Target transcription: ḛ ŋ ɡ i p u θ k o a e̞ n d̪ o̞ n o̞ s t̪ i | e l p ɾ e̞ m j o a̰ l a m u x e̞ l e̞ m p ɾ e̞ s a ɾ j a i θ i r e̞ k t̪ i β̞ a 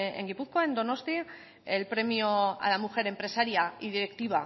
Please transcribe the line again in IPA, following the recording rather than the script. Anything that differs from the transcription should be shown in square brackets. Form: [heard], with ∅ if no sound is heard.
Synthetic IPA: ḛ ŋ ɡ i p u θ k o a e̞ n d̪ o̞ n o̞ s t̪ i | e l p ɾ e̞ m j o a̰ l a m u x e̞ [ɾ] e̞ m p ɾ e̞ s a ɾ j a i [ð] i [ɾ] e̞ k t̪ i β̞ a

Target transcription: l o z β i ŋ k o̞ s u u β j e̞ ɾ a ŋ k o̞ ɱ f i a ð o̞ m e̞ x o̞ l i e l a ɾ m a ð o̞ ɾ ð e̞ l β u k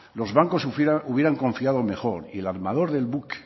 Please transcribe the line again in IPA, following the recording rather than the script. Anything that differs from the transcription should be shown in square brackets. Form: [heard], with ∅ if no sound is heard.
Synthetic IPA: l o z β [a] ŋ k o̞ s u u β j e̞ ɾ a ŋ k o̞ ɱ f i a ð o̞ m e̞ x o̞ [ɾ] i e l a ɾ m a ð o̞ ɾ ð e̞ l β u k

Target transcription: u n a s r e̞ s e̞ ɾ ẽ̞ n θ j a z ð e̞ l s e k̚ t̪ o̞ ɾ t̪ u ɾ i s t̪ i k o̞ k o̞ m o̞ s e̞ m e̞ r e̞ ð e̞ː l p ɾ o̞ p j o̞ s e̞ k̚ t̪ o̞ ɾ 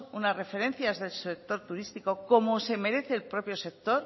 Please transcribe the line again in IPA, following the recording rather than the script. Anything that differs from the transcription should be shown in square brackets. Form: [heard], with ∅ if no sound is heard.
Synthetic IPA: u n a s r e̞ [f] e̞ ɾ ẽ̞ n θ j a z ð e̞ l s e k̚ t̪ o̞ ɾ t̪ u ɾ i s t̪ i k o̞ k o̞ m o̞ s e̞ m e̞ [ɾ] e̞ [θ] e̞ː l p ɾ o̞ p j o̞ s e̞ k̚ t̪ o̞ ɾ

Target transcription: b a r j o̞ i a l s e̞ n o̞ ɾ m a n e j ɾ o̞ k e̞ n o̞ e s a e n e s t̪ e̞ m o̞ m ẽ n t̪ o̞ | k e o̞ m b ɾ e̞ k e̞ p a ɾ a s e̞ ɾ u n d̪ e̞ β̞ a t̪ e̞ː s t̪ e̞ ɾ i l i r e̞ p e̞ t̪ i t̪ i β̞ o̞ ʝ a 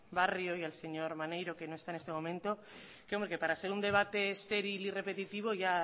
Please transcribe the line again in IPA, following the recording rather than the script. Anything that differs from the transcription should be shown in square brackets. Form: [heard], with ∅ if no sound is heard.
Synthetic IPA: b a r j o̞ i a l s e̞ [ɲ] o̞ ɾ m a n e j ɾ o̞ k e̞ n o̞ e s a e n e s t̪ e̞ m o̞ m ẽ n t̪ o̞ | k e o̞ m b ɾ e̞ k e̞ p a ɾ a s e̞ ɾ u n d̪ e̞ β̞ a t̪ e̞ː s t̪ e̞ ɾ i l i r e̞ p e̞ t̪ i t̪ i β̞ o̞ ʝ a

